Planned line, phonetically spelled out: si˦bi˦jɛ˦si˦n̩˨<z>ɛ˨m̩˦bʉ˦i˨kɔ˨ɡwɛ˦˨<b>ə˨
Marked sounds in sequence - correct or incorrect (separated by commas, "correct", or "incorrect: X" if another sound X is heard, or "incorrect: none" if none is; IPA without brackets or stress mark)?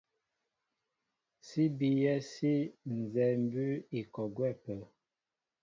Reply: correct, incorrect: p